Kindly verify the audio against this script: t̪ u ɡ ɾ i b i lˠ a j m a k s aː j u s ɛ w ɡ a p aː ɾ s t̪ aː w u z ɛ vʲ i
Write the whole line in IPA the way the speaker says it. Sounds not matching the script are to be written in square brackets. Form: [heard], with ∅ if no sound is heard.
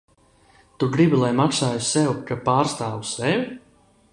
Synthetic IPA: t̪ u ɡ ɾ i b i lˠ a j m a k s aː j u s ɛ w [k] a p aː ɾ s t̪ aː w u [s] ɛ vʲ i